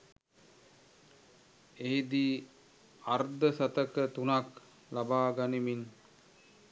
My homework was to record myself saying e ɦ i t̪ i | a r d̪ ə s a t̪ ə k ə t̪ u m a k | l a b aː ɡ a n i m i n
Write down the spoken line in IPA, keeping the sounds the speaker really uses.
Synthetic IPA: e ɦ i d̪ i | a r d̪ ə s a t̪ ə k ə t̪ u n a k | l a b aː ɡ a n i m i n